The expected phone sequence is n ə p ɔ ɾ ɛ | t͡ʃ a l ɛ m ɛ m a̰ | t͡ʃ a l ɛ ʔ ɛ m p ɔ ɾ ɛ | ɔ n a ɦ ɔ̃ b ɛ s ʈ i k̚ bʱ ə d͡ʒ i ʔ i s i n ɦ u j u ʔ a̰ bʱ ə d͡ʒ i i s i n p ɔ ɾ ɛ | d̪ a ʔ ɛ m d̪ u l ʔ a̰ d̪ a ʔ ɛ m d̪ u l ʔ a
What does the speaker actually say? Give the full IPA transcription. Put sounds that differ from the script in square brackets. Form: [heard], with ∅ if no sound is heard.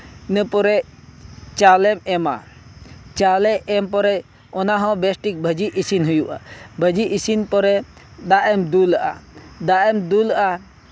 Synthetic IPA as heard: n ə p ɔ ɾ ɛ | t͡ʃ a l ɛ m ɛ m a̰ | t͡ʃ a l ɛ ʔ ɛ m p ɔ ɾ ɛ | ɔ n a ɦ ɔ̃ b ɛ s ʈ i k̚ bʱ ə d͡ʒ i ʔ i s i n ɦ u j u ʔ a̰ bʱ ə d͡ʒ i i s i n p ɔ ɾ ɛ | d̪ a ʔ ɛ m d̪ u l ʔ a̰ d̪ a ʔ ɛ m d̪ u l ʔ a